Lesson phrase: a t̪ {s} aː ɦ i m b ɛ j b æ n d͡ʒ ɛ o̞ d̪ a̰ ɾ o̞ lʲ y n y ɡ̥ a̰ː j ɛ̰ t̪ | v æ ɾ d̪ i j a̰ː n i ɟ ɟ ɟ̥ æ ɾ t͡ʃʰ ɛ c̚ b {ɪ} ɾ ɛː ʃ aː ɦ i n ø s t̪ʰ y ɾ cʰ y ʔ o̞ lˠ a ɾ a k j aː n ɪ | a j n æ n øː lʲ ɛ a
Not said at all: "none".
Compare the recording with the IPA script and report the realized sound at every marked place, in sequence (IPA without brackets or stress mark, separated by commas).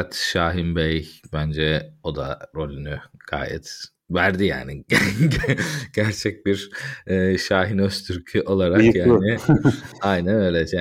ʃ, i